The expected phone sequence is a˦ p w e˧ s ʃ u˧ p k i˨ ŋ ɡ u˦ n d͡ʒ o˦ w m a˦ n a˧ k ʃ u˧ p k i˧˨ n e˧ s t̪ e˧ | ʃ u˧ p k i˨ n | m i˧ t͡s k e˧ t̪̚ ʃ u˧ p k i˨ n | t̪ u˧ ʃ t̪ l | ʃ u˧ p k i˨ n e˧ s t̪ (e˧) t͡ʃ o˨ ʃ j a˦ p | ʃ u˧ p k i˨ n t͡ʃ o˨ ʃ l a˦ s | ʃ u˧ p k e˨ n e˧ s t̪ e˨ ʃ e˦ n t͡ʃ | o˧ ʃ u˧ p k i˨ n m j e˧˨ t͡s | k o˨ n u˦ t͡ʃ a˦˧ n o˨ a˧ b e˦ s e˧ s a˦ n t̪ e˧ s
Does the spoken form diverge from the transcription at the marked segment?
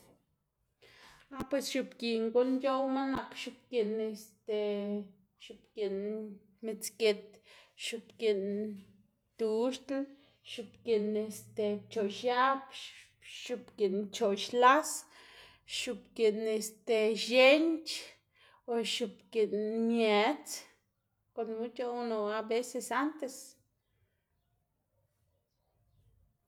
no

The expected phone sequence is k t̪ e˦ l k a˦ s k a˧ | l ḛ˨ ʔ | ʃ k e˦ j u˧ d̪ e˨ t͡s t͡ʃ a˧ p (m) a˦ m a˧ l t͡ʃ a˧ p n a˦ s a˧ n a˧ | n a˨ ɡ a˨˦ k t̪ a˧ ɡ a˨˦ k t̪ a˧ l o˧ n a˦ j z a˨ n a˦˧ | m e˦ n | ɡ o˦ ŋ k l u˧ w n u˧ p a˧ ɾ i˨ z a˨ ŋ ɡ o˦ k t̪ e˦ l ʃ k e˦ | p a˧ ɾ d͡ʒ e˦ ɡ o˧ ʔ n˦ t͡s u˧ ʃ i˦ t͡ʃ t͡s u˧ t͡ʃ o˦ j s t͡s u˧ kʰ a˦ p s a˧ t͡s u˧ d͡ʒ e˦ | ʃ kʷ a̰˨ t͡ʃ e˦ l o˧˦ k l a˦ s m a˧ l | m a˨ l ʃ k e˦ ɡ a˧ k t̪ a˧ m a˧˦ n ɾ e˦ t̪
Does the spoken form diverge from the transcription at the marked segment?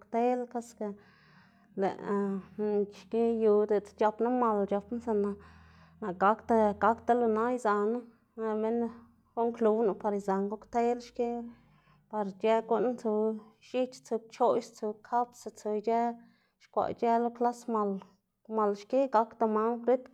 yes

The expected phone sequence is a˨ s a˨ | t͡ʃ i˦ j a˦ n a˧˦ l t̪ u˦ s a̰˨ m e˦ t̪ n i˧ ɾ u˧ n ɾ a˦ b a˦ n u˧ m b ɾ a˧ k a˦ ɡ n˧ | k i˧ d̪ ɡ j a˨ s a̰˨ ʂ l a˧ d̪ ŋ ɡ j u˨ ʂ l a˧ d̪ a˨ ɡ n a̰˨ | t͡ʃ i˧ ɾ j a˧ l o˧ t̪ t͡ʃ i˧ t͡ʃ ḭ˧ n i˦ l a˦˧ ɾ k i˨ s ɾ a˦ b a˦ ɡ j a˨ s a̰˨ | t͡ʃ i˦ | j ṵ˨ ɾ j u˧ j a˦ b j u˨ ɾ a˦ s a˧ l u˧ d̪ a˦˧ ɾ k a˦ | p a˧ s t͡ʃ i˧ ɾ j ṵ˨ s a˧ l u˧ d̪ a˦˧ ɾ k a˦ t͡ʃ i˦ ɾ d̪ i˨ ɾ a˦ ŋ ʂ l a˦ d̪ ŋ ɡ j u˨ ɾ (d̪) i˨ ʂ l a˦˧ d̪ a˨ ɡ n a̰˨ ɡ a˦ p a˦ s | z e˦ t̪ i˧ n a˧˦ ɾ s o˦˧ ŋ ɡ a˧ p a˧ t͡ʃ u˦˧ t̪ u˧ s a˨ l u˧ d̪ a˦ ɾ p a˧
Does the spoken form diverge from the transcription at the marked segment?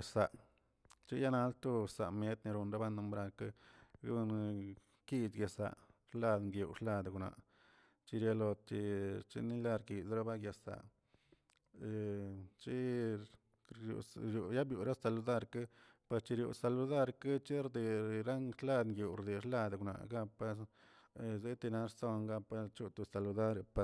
no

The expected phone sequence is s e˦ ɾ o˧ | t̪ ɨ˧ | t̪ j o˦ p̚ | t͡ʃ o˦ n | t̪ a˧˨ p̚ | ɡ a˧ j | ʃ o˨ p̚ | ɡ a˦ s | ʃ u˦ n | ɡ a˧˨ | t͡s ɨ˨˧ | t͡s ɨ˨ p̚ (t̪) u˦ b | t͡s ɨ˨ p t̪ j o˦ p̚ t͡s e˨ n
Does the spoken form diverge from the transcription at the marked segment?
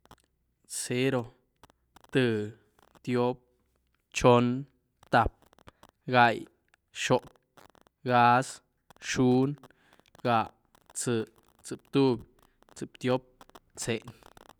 no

